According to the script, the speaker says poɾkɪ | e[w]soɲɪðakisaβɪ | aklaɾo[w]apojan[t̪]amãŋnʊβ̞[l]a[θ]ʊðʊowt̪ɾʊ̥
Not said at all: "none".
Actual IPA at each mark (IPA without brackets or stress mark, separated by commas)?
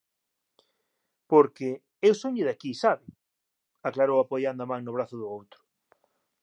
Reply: w, w, d̪, ɾ, θ